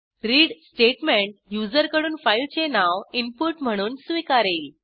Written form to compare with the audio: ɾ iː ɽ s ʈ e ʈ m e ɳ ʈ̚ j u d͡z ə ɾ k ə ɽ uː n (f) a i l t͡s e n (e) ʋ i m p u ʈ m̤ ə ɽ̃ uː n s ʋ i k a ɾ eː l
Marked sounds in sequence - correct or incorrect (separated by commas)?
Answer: correct, incorrect